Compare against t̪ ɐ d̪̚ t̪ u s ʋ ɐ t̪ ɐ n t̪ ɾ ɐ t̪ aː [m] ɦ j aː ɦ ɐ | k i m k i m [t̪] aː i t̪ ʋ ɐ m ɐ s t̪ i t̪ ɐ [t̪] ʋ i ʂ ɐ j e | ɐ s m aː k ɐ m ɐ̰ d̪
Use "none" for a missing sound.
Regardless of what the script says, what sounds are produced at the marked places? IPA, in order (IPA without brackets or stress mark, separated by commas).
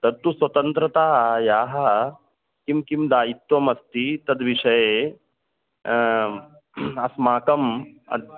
none, d̪, d̪